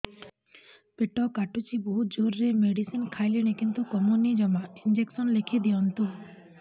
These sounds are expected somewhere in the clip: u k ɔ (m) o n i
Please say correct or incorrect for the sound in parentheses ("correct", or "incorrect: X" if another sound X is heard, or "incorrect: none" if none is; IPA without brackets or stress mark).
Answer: correct